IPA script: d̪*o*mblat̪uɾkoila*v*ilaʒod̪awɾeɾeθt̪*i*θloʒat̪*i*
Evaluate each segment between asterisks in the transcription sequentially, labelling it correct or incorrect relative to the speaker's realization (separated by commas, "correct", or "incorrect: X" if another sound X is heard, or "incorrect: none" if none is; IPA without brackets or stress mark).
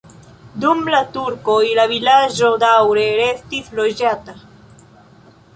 incorrect: u, incorrect: β, correct, incorrect: a